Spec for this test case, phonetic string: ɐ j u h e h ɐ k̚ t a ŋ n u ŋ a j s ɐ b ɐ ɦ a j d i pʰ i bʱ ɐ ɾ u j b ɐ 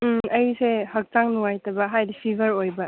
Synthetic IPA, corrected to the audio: ɐ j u s e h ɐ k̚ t a ŋ n u ŋ a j t ɐ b ɐ ɦ a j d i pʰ i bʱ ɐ ɾ o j b ɐ